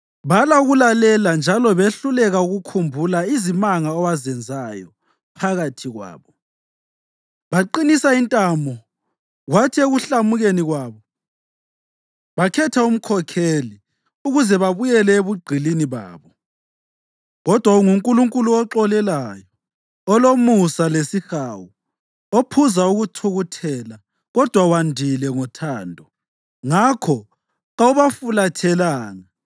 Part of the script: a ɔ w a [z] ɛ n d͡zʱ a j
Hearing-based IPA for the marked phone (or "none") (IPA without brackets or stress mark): z